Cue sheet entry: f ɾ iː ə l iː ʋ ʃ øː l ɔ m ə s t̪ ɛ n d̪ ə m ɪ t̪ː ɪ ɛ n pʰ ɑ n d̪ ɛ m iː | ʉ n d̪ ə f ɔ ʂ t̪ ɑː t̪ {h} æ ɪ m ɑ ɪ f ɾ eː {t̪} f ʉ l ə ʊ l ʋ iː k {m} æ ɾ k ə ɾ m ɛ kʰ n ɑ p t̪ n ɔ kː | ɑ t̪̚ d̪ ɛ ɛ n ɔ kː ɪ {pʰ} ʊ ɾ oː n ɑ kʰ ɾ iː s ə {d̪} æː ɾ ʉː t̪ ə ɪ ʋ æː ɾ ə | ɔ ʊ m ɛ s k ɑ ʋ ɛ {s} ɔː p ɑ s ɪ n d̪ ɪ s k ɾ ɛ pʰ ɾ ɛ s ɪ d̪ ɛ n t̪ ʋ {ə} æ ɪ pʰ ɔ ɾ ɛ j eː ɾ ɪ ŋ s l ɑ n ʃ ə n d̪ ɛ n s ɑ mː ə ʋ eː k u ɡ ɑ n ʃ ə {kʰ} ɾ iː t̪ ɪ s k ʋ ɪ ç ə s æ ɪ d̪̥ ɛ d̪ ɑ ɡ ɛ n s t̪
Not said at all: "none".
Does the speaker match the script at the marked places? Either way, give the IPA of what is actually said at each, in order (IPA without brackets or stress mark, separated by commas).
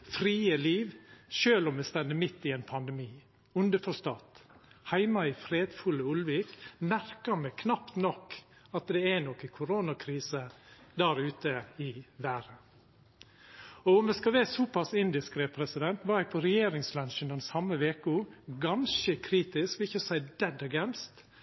h, d̪, m, kʰ, d̪, s, ɑ, kʰ